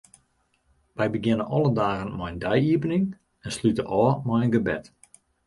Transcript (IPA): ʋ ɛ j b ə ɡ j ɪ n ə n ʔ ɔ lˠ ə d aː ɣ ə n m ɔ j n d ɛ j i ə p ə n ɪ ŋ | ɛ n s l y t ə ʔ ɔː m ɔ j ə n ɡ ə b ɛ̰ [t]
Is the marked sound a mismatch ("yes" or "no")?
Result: no